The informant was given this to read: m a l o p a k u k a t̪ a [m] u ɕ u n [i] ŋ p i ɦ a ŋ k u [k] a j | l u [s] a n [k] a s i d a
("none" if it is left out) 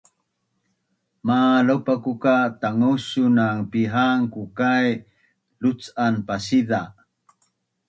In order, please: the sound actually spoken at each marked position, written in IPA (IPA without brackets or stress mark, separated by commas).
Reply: ŋ, a, k, t͡s, p